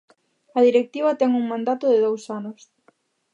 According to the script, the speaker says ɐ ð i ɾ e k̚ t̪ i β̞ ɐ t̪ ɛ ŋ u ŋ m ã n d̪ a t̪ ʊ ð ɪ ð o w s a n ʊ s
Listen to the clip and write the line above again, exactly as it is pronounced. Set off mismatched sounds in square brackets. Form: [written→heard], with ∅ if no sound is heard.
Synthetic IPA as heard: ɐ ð i ɾ e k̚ t̪ i β̞ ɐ t̪ ɛ ŋ u ŋ m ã n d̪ a t̪ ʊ ð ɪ ð o w s a n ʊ s